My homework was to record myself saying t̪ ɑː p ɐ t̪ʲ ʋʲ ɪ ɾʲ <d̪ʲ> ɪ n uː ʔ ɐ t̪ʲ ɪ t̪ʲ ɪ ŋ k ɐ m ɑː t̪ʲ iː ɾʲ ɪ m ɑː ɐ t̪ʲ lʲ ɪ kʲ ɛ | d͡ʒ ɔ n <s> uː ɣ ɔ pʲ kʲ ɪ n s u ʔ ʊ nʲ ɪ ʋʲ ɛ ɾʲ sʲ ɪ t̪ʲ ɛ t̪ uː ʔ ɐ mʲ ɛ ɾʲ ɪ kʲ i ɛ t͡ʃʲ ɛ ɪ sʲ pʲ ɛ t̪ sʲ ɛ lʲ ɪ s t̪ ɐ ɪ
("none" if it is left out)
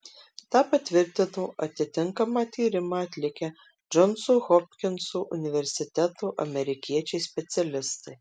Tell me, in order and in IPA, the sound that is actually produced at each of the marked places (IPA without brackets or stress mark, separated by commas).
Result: t̪ʲ, s